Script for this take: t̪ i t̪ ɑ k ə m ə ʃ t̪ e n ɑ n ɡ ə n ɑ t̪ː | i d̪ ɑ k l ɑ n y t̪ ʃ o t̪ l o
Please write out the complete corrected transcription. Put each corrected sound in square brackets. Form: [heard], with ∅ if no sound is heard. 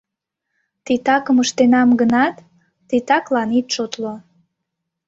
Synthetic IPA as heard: t̪ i t̪ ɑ k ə m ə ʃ t̪ e n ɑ [m] ɡ ə n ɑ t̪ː | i [t̪] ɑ k l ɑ n [i] t̪ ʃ o t̪ l o